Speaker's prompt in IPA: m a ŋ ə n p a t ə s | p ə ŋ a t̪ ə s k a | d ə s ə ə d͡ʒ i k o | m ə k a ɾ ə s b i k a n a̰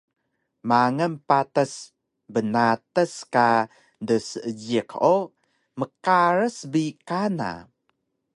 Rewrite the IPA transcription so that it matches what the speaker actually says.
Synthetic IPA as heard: m a ŋ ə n p a t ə s | b ə n a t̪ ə s k a | d ə s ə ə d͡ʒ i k o | m ə k a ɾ ə s b i k a n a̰

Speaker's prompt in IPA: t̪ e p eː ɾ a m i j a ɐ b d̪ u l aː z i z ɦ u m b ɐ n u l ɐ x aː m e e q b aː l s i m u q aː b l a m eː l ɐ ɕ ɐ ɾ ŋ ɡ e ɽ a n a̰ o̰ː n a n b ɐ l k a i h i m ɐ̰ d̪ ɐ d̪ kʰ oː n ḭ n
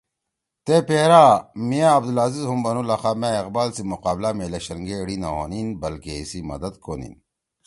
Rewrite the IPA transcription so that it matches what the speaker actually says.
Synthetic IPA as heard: t̪ e p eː ɾ a m i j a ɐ b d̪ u l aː z i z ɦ u m b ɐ n u l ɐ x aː m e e q b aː l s i m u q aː b l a m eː l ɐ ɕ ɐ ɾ ŋ ɡ e ɽ i n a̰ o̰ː n i n b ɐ l k e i s i m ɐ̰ d̪ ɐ d̪ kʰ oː n ḭ n

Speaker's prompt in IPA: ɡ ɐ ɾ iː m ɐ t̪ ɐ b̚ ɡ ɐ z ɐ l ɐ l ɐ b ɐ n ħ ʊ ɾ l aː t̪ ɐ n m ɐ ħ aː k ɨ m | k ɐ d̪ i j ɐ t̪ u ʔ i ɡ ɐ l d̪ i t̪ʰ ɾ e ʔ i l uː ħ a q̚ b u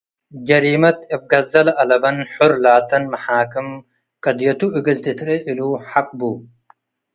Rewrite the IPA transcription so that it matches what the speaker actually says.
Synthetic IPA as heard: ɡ ɐ ɾ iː m ɐ t̪ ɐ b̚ ɡ ɐ z ɐ l ɐ l ɐ b ɐ n ħ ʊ ɾ l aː t̪ ɐ n m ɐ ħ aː k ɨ m | k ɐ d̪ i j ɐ t̪ u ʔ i ɡ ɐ l t̪ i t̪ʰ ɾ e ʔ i l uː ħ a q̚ b u

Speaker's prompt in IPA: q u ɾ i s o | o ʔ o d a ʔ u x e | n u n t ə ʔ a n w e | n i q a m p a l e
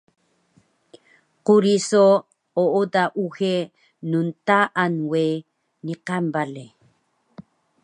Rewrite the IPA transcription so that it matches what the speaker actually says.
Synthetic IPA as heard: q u ɾ i s o | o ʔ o d a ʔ u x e | n u n t a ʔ a n w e | n i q a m b a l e

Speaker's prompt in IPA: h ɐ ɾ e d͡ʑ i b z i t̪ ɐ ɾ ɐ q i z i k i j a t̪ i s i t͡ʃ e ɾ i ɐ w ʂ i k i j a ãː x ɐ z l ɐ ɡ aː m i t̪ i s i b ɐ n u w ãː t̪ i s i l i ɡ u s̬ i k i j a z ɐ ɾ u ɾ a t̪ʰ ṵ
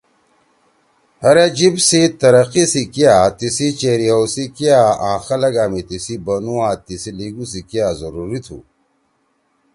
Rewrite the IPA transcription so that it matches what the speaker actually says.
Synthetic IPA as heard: h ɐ ɾ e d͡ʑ i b s i t̪ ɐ ɾ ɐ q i s i k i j a t̪ i s i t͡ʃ e ɾ i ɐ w s i k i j a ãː x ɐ l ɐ ɡ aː m i t̪ i s i b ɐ n u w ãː t̪ i s i l i ɡ u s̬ i k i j a z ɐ ɾ u ɾ i t̪ʰ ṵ

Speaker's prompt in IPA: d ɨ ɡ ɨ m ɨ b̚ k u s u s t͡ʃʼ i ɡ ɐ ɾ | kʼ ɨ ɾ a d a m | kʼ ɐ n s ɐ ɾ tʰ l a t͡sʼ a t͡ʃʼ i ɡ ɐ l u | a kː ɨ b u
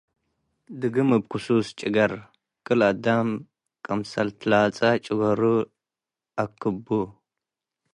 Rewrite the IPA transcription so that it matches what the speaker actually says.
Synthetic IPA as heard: d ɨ ɡ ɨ m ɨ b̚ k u s u s t͡ʃʼ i ɡ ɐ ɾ | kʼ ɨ l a d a m | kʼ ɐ m s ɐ l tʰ l a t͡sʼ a t͡ʃʼ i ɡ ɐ ɾ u | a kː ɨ b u

